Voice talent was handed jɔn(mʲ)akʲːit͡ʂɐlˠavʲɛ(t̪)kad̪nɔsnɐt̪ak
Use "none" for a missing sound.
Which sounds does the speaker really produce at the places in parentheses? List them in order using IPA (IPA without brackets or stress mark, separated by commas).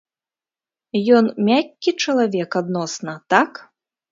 mʲ, none